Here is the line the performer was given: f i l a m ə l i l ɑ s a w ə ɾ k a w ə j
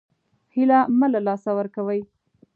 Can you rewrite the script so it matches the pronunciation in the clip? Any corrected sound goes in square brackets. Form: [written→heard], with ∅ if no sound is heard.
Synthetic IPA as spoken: [f→h] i l a m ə l [i→a] l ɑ s a w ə ɾ k a w ə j

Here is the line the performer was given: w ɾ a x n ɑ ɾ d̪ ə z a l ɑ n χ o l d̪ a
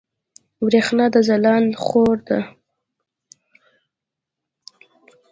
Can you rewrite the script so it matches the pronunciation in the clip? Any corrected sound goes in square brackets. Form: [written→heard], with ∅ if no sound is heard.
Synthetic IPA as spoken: w ɾ [a→e] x n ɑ [ɾ→∅] d̪ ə z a l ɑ n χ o [l→ɾ] d̪ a

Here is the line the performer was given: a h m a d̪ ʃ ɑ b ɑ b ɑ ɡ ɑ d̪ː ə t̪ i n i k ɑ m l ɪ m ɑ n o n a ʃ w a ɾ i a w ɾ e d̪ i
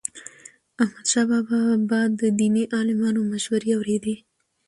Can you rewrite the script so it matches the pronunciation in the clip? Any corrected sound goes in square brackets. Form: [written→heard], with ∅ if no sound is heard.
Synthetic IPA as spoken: a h m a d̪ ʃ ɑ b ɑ b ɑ [ɡ→b] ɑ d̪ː ə [t̪→d̪] i n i [k→ʔ] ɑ [m→∅] l ɪ m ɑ n o [n→m] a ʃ w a ɾ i a w ɾ e d̪ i

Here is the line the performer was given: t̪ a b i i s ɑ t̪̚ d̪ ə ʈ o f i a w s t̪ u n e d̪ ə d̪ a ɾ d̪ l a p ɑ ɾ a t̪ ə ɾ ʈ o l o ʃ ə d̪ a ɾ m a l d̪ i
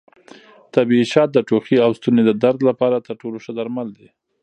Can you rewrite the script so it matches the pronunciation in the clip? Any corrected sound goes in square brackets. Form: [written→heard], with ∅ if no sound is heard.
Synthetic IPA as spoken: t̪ a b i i [s→ʃ] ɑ t̪̚ d̪ ə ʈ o [f→x] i a w s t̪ u n e d̪ ə d̪ a ɾ d̪ l a p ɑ ɾ a t̪ ə ɾ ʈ o l o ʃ ə d̪ a ɾ m a l d̪ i

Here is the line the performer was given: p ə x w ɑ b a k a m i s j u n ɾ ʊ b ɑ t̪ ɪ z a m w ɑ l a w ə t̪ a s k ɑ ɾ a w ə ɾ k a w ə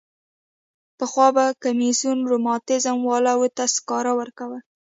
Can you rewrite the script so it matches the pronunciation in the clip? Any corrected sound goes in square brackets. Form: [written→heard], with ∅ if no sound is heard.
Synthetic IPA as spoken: p ə x w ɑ b a k a m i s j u n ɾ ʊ [b→m] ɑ t̪ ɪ z a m w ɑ l a w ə t̪ a s k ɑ ɾ a w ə ɾ k a w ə

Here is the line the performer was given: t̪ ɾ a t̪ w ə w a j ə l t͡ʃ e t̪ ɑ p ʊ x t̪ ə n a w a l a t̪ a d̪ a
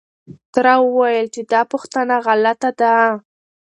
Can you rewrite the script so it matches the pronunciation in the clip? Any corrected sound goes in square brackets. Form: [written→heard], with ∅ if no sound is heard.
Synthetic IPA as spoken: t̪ ɾ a [t̪→∅] w ə w a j ə l t͡ʃ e [t̪→d̪] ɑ p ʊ x t̪ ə n a [w→ɣ] a l a t̪ a d̪ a

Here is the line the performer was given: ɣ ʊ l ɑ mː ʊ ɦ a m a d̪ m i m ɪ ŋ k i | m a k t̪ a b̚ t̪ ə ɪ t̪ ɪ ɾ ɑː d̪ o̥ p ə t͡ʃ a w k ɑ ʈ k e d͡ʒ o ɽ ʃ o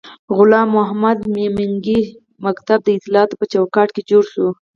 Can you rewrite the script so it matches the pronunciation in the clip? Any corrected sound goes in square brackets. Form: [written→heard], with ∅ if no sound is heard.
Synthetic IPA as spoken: ɣ ʊ l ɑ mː ʊ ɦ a m a d̪ m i m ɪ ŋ [k→ɡ] i | m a k t̪ a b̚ [t̪→d̪] ə ɪ t̪ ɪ [ɾ→l] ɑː [d̪→t̪] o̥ p ə t͡ʃ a w k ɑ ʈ k e d͡ʒ o ɽ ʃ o

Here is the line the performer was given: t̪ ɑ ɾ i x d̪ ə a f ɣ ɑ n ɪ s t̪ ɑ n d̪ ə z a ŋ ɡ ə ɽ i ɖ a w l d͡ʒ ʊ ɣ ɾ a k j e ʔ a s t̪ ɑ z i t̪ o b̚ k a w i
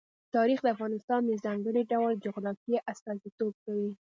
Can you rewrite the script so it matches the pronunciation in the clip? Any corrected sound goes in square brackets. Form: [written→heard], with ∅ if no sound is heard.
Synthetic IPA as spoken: t̪ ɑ ɾ i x d̪ ə a f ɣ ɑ n ɪ s t̪ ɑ n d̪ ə z a ŋ ɡ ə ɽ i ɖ a w l d͡ʒ ʊ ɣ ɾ [a→ɑ] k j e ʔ a s t̪ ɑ z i t̪ o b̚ k a w i

